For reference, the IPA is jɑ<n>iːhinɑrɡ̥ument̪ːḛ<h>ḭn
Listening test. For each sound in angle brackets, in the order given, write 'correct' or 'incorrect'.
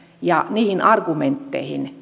correct, correct

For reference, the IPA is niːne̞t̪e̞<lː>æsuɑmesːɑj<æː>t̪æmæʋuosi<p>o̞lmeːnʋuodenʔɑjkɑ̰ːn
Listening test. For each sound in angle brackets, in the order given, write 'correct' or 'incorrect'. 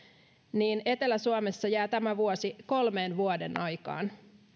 incorrect: l, correct, incorrect: k

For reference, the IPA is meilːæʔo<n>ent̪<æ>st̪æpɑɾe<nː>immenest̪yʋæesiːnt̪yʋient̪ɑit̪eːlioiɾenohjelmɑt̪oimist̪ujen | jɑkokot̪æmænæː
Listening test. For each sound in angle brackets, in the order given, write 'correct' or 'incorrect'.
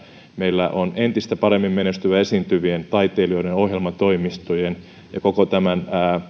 correct, incorrect: i, incorrect: mː

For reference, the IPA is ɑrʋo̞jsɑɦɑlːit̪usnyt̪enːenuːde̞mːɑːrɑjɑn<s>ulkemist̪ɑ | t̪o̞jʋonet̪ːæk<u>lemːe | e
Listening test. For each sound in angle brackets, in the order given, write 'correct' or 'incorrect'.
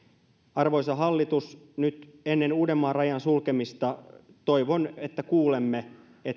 correct, incorrect: uː

